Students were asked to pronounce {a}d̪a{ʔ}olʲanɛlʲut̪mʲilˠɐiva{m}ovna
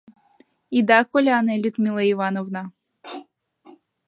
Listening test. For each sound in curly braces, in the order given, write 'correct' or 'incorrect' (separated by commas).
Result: incorrect, incorrect, incorrect